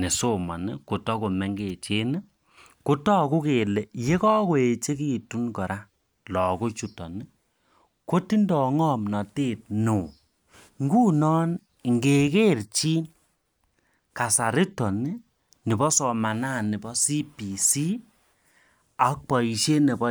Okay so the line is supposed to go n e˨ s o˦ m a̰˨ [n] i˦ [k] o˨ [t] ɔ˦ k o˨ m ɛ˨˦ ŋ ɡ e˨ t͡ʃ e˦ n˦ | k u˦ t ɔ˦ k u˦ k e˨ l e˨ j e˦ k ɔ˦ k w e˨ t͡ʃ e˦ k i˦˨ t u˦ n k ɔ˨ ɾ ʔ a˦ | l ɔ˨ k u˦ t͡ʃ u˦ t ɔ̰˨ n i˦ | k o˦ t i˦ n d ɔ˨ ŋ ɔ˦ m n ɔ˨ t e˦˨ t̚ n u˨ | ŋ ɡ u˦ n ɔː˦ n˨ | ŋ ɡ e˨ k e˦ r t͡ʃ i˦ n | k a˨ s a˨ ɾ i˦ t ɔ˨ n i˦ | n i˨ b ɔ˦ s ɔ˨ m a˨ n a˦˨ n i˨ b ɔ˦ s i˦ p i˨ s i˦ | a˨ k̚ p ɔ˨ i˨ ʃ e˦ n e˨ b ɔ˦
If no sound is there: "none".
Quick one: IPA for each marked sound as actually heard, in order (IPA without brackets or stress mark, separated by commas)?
n, k, t